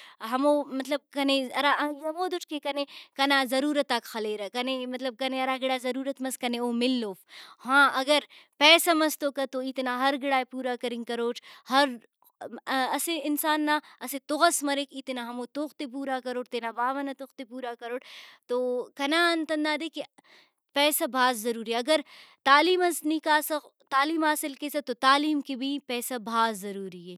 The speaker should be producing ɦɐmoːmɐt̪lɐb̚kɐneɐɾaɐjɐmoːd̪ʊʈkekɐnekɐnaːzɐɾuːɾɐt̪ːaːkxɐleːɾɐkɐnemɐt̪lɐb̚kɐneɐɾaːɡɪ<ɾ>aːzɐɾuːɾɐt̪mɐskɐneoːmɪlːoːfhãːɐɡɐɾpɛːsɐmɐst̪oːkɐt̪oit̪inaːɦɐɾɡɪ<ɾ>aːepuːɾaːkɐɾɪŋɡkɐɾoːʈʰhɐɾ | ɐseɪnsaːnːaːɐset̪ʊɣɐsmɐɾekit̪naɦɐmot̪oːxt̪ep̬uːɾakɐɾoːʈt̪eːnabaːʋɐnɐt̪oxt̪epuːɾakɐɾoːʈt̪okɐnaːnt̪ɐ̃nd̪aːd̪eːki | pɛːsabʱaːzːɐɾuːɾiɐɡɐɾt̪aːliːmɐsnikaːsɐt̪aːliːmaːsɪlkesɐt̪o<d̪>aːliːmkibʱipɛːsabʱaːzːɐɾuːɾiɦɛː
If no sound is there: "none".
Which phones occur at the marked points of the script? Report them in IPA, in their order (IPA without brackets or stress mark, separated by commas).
ɽ, ɽ, t̪